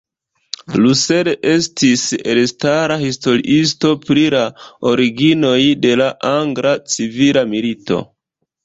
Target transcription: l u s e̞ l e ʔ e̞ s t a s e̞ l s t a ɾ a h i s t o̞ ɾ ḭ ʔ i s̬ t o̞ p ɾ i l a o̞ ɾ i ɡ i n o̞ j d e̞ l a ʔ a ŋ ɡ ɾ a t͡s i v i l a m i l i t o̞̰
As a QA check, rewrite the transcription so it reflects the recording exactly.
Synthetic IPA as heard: l u s e̞ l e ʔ e̞ s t i s e̞ l s t a ɾ a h i s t o̞ ɾ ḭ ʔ i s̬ t o̞ p ɾ i l a o̞ ɾ i ɡ i n o̞ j d e̞ l a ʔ a ŋ ɡ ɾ a t͡s i v i l a m i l i t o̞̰